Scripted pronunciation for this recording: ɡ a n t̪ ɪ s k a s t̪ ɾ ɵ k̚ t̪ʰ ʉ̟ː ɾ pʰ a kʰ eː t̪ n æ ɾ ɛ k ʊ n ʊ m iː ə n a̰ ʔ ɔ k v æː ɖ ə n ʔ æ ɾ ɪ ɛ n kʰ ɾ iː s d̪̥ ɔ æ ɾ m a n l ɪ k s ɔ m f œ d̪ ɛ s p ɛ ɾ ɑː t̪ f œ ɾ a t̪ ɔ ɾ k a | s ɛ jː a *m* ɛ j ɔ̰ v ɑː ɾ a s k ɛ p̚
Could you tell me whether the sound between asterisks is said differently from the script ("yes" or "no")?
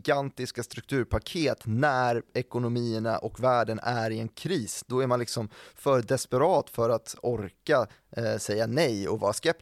yes